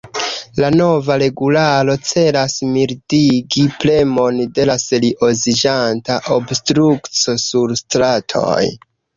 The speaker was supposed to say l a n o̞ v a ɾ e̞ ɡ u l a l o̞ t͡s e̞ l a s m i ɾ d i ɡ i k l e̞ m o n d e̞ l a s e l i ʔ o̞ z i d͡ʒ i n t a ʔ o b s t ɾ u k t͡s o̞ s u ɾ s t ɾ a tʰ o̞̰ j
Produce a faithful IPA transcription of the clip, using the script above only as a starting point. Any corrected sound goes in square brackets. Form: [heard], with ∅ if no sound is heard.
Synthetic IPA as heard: l a n o̞ v a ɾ e̞ ɡ u l a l o̞ t͡s e̞ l a s m i ɾ d i ɡ i [p] l e̞ m o n d e̞ l a s e l i ʔ o̞ z i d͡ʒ [a] n t a ʔ o b s t ɾ u k t͡s o̞ s u ɾ s t ɾ a tʰ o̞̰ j